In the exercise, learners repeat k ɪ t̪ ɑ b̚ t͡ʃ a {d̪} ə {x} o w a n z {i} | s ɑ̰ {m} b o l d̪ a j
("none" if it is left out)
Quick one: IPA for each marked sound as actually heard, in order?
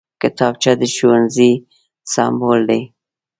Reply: d̪, ʃ, i, m

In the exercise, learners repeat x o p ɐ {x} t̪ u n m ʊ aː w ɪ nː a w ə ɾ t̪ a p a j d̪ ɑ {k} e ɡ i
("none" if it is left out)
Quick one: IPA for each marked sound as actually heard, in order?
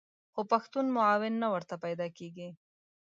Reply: x, k

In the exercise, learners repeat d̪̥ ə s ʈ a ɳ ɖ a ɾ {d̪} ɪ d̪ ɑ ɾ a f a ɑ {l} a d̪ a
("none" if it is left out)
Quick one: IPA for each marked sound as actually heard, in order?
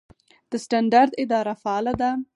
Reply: d̪, l

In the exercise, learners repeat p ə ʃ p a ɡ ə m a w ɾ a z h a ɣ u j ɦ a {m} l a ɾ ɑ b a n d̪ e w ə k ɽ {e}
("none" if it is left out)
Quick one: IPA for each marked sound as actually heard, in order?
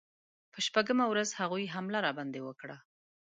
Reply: m, a

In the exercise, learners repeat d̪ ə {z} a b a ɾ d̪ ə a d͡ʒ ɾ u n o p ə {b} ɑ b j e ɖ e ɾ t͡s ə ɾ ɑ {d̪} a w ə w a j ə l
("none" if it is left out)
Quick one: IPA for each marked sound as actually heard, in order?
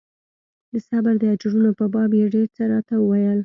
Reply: s, b, t̪

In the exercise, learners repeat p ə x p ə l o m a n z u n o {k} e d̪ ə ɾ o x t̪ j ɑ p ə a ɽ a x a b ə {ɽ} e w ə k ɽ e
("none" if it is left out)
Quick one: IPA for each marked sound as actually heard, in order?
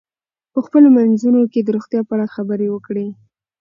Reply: k, ɾ

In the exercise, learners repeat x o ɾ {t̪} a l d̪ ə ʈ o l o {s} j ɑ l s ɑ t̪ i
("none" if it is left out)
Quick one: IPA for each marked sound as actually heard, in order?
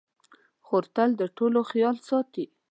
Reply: t̪, x

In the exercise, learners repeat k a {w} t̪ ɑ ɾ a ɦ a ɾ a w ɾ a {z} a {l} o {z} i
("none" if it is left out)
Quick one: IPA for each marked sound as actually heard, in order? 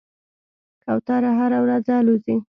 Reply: w, z, l, z

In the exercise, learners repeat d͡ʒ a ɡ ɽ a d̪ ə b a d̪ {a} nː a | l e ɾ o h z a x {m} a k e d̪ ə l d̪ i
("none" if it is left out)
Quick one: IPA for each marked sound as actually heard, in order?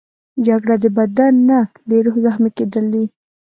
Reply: a, m

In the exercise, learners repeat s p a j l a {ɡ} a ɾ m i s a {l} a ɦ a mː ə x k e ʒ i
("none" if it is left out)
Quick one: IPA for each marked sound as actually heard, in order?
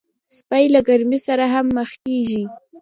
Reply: ɡ, ɾ

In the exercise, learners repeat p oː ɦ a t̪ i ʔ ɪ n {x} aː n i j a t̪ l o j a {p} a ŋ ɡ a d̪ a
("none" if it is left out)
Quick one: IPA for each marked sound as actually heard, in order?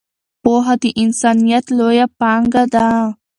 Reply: s, p

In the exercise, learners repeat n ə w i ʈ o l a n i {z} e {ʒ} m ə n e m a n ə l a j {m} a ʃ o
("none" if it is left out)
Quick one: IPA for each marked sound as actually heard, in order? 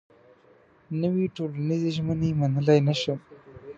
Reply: z, ʒ, n

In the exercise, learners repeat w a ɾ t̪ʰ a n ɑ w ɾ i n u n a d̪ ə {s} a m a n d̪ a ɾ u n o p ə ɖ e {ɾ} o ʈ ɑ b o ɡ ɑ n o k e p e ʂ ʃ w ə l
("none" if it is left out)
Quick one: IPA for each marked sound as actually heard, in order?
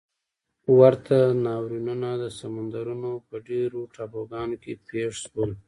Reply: s, ɾ

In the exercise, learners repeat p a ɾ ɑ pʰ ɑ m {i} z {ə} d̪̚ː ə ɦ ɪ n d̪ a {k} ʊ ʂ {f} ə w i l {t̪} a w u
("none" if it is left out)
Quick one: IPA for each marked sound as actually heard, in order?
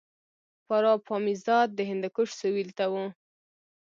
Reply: i, ɑ, k, s, t̪

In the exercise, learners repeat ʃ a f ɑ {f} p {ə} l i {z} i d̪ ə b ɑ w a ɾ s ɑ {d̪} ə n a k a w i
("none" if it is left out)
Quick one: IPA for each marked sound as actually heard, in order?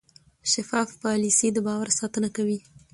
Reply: f, ɑ, s, t̪

